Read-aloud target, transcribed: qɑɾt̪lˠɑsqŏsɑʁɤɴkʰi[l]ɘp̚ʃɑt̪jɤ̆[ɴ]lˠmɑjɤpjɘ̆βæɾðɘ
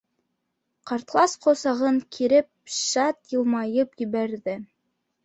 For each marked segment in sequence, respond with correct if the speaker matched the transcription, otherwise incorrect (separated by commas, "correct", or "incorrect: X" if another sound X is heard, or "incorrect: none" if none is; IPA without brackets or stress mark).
incorrect: ɾ, incorrect: none